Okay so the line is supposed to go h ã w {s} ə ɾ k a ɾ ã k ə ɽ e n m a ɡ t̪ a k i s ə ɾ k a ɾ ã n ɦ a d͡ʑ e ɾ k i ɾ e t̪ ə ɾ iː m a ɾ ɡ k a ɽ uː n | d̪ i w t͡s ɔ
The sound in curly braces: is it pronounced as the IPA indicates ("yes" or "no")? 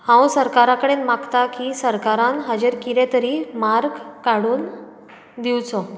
yes